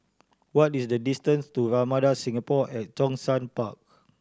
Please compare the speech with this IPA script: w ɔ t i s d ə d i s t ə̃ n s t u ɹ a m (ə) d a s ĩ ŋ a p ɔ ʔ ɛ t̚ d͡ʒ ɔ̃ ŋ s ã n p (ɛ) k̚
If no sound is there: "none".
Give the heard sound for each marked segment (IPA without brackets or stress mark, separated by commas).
a, a